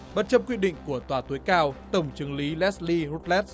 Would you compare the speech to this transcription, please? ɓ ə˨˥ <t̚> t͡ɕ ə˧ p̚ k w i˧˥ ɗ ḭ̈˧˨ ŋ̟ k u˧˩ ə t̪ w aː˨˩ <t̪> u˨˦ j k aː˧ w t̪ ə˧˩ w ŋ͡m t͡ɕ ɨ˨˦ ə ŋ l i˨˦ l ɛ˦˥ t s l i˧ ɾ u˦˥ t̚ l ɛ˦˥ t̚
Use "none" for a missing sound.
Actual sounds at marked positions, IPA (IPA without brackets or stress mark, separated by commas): t̚, t̪